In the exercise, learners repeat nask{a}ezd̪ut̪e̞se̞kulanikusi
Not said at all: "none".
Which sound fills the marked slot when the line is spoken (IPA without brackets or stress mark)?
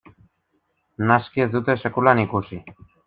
i